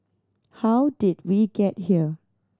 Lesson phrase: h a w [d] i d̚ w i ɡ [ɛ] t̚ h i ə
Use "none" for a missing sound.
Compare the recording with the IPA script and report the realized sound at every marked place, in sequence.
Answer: d, ɛ

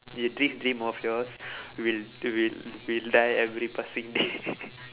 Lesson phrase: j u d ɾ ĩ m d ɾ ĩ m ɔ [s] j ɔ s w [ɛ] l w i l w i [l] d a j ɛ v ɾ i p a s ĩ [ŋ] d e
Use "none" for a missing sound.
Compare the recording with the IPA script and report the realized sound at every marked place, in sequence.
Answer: f, i, l, ŋ

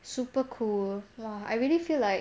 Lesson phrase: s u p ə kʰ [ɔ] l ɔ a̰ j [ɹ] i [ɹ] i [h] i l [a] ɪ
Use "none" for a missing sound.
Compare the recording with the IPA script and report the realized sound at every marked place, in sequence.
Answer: u, ɹ, l, f, a

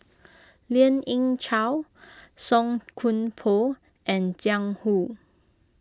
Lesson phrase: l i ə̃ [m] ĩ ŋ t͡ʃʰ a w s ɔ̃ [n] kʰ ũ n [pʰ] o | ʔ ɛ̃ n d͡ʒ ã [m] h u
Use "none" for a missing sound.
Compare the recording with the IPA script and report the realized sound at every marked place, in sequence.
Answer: n, ŋ, pʰ, ŋ

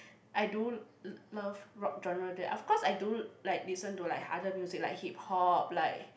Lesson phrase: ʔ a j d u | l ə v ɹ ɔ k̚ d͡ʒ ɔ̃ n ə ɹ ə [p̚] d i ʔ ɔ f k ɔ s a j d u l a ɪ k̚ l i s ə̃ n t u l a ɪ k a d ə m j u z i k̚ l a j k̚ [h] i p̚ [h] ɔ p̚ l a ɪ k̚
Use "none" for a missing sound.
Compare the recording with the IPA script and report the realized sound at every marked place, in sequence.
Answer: none, h, h

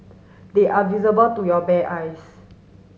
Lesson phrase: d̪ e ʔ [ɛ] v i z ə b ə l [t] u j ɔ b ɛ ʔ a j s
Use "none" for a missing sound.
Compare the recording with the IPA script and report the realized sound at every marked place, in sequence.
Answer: a, t

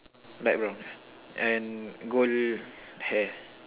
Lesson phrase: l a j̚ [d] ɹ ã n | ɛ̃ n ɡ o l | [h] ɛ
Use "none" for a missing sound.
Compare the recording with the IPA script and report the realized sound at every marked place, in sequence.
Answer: b, h

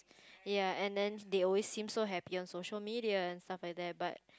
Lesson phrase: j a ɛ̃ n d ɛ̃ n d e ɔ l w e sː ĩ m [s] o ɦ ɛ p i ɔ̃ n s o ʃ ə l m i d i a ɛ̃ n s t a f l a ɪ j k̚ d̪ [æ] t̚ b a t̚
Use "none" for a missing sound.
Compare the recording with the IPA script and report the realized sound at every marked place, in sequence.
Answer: s, ɛ

